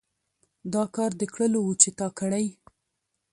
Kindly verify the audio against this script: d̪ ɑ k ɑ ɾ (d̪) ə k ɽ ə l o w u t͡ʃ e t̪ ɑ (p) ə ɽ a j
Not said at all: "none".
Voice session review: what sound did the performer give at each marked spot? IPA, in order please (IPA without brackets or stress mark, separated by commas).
d̪, k